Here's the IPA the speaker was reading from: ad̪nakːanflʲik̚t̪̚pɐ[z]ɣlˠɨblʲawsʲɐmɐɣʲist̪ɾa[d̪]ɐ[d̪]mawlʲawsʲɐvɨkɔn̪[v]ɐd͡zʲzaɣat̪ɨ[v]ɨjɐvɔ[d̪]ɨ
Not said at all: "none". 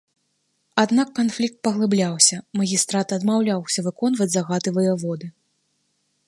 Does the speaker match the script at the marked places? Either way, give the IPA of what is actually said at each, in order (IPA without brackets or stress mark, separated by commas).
none, t̪, d̪, v, v, d̪